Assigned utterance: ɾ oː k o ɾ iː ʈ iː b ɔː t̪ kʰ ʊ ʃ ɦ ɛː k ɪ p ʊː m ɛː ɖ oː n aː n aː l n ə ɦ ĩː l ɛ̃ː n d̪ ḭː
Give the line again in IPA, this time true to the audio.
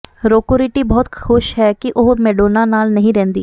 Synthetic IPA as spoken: ɾ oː k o ɾ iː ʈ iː b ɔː t̪ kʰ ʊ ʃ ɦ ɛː k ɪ ʔ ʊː m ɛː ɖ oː n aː n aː l n ə ɦ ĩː ɾ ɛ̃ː n d̪ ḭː